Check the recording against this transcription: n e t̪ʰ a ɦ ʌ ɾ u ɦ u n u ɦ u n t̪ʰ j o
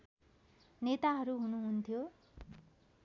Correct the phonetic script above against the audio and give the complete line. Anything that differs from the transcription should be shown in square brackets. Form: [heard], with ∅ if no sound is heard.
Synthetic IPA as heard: n e [t̪] a ɦ ʌ ɾ u ɦ u n u ɦ u n t̪ʰ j o